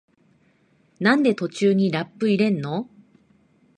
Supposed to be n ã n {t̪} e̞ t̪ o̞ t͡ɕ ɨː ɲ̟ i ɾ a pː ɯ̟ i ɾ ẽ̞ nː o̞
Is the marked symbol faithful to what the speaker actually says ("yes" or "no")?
no